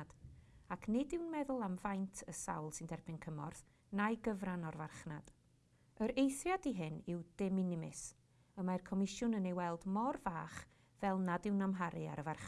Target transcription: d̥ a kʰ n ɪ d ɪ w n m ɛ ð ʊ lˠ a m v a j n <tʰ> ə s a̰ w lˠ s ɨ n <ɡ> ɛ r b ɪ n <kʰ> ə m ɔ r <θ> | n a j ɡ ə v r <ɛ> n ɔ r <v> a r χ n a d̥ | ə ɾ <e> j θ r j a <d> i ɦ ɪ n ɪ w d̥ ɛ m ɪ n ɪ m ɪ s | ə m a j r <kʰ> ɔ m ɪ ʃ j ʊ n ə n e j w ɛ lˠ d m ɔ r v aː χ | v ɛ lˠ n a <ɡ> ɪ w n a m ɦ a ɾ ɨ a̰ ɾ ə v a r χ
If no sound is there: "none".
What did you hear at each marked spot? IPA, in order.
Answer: tʰ, d, kʰ, θ, a, v, e, d, kʰ, d

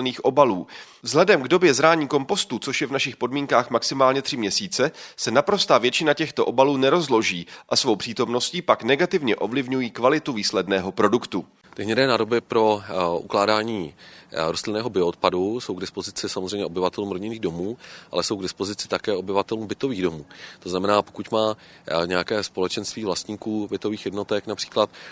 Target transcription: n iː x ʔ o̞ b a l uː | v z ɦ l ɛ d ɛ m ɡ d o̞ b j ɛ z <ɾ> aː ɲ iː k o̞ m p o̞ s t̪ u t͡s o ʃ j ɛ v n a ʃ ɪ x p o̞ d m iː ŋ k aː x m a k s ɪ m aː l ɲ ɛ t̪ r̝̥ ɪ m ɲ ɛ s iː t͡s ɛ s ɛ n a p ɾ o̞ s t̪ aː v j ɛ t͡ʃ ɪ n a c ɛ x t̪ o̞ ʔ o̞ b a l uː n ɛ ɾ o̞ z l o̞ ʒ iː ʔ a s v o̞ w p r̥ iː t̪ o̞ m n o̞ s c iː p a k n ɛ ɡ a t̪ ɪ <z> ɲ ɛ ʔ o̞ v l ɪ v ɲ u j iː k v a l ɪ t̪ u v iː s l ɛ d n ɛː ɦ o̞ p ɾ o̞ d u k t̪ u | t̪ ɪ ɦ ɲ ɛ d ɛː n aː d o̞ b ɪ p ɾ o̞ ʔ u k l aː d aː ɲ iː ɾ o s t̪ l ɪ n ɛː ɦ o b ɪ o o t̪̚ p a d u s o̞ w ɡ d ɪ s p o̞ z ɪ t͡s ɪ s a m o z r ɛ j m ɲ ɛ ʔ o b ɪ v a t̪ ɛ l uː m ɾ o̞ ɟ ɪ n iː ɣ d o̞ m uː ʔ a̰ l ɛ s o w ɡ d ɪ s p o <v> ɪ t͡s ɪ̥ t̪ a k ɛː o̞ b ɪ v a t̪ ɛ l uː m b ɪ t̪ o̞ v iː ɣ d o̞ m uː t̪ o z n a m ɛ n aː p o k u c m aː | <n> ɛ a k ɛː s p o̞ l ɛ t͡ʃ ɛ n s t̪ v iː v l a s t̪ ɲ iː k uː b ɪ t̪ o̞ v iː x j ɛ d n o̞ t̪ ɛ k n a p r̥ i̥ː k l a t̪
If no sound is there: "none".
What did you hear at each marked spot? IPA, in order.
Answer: ɾ, v, z, ɲ

